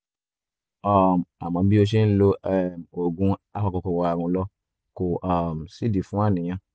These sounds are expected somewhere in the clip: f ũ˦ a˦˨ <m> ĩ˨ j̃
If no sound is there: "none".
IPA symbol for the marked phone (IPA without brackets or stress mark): n